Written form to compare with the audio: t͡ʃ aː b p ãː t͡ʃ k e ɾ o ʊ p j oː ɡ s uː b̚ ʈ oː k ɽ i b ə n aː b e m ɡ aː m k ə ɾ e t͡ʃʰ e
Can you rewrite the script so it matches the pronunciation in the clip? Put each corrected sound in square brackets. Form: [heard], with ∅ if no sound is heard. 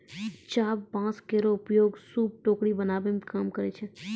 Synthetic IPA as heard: t͡ʃ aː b p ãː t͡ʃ k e ɾ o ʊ p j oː ɡ s uː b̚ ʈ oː k ɽ i b ə n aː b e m [k] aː m k ə ɾ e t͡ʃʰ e